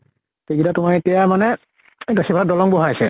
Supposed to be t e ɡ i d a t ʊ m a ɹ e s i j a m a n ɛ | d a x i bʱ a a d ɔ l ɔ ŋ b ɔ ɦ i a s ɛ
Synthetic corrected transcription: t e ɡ i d a t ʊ m a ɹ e t i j a m a n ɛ | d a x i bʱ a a d ɔ l ɔ ŋ b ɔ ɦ a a s ɛ